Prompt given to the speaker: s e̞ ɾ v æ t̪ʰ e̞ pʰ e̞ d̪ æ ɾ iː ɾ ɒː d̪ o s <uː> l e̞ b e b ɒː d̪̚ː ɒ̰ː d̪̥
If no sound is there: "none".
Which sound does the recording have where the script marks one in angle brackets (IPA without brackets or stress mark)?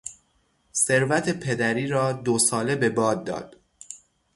ɒː